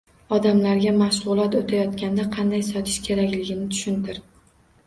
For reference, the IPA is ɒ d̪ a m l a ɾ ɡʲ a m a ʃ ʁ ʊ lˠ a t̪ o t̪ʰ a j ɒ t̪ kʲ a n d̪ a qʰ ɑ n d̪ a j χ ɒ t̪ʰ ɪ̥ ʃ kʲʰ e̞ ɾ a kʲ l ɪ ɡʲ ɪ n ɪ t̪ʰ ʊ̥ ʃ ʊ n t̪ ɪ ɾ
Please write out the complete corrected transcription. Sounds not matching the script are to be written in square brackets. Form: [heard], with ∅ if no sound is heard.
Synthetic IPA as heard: ɒ d̪ a m l a ɾ ɡʲ a m a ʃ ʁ ʊ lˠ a t̪ o t̪ʰ a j ɒ t̪ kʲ a n d̪ a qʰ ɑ n d̪ a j [s] ɒ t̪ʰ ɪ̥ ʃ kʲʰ e̞ ɾ a kʲ l ɪ ɡʲ ɪ n ɪ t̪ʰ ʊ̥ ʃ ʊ n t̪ ɪ ɾ